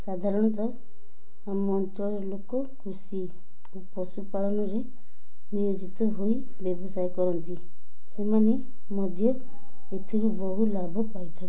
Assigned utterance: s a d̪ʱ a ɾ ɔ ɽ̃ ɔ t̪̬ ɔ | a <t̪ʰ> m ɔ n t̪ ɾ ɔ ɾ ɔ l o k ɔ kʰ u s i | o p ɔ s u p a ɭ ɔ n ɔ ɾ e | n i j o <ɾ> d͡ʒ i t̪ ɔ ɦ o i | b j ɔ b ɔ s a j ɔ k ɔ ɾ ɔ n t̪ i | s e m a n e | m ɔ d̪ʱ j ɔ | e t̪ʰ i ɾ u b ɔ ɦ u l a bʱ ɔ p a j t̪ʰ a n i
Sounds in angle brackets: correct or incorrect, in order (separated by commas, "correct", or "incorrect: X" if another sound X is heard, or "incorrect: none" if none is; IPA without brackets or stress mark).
incorrect: none, incorrect: none